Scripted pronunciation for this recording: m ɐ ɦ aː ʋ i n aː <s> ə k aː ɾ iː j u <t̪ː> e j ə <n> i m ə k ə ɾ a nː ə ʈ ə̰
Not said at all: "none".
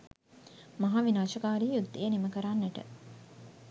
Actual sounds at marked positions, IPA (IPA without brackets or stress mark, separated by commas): ʃ, d̪ː, n